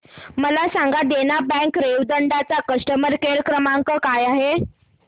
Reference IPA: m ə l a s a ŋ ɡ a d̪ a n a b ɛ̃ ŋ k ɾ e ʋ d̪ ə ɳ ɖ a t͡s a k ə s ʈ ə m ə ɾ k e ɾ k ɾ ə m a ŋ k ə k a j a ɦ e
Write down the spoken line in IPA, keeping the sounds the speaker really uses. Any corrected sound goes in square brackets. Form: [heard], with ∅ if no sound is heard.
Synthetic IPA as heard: m ə l a s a ŋ ɡ a d̪ [e] n a b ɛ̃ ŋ k ɾ e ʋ d̪ ə ɳ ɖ a t͡s a k ə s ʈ ə m ə ɾ k e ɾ k ɾ ə m a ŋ k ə k a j a ɦ e